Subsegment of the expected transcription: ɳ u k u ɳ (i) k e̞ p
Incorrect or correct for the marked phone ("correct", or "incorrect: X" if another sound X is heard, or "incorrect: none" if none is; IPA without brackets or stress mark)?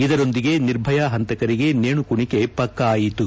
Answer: correct